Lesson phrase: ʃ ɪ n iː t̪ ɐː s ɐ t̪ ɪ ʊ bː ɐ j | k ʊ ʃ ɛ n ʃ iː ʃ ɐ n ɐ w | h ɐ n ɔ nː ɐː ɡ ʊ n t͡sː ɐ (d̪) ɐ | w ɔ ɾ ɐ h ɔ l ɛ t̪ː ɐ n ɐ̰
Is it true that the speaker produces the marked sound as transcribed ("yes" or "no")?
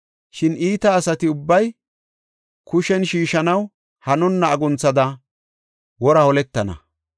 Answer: yes